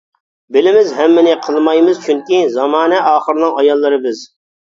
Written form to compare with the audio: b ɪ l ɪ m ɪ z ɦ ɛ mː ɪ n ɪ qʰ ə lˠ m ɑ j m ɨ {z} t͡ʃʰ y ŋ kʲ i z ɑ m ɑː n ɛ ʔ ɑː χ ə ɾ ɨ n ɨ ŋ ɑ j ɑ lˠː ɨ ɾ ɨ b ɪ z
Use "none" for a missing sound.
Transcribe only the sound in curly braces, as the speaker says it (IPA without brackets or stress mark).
z